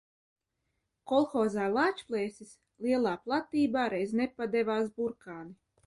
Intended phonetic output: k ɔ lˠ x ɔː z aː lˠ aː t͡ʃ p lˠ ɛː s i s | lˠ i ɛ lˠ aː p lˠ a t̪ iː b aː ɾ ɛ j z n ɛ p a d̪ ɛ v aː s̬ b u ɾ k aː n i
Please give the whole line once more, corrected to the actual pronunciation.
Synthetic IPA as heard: k ɔ lˠ x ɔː z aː lˠ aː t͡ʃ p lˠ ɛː s i s | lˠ i ɛ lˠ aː p lˠ a t̪ iː b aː ɾ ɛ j z n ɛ p a d̪ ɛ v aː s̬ b u ɾ k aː n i